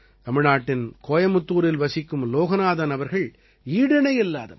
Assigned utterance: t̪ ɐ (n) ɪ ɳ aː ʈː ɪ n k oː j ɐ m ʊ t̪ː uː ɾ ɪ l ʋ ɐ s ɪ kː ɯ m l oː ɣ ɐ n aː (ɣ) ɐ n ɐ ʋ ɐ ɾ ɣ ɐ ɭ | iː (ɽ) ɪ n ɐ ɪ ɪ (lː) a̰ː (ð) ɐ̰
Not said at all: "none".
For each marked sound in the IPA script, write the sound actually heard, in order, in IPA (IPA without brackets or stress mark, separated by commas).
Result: m, ð, ɽ, lː, ð